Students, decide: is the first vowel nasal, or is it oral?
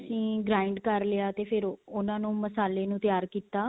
nasal